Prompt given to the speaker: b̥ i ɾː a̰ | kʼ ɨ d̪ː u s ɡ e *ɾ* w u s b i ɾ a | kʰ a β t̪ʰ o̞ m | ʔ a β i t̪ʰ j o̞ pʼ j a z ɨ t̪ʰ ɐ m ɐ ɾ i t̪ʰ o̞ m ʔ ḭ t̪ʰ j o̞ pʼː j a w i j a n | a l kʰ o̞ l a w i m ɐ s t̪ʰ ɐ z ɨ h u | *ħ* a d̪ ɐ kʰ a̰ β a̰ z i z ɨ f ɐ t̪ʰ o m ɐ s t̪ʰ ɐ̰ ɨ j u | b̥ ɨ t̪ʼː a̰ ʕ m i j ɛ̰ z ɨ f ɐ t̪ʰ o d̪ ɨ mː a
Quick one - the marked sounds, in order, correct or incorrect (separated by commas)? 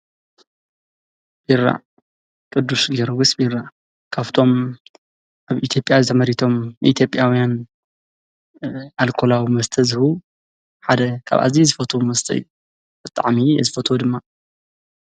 correct, correct